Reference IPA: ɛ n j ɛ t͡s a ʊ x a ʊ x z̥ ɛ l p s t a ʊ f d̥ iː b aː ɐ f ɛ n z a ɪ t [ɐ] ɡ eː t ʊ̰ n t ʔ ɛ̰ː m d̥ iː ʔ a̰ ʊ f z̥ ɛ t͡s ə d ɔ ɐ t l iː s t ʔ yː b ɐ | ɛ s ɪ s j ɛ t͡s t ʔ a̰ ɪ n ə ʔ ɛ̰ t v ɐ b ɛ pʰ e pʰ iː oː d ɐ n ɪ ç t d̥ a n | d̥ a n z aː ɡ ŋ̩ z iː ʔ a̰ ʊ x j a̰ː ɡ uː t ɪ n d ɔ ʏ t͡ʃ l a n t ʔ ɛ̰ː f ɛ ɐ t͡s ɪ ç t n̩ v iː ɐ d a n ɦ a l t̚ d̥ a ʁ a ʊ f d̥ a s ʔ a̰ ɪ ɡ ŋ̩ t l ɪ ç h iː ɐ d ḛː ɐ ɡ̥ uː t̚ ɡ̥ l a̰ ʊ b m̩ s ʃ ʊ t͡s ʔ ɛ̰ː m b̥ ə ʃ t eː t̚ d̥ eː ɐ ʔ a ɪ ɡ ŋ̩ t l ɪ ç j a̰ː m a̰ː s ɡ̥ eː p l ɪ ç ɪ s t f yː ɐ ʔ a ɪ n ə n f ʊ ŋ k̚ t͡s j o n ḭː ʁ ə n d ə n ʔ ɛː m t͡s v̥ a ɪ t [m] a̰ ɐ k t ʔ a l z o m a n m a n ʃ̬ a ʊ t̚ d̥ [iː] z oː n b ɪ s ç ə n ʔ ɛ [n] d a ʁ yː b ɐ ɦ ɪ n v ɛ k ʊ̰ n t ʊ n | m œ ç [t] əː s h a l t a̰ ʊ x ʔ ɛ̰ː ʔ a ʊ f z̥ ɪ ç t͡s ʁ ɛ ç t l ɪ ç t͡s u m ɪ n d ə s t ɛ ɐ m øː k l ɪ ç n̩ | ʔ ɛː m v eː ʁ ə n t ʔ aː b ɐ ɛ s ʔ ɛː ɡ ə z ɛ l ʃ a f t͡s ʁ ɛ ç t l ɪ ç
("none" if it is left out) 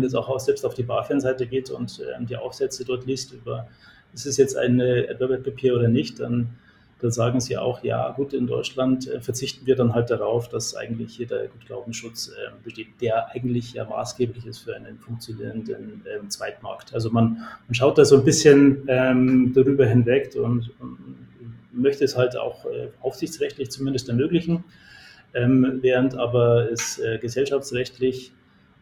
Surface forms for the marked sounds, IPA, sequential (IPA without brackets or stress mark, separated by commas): ə, m, aː, m, t